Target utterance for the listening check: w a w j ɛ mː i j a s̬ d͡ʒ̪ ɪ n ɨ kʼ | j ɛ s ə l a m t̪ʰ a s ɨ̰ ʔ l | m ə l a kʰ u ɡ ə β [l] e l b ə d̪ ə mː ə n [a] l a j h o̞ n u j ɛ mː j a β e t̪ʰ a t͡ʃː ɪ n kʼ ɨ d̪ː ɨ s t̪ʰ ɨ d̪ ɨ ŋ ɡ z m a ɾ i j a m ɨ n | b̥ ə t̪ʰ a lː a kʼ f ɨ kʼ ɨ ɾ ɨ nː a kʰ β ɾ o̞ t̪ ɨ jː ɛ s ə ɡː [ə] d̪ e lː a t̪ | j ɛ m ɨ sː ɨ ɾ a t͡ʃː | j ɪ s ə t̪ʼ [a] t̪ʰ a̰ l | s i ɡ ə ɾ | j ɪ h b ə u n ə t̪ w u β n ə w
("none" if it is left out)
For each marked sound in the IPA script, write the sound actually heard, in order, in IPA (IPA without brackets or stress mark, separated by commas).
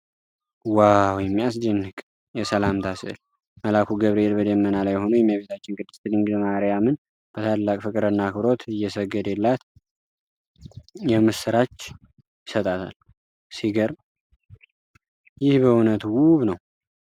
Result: ɾ, a, ə, a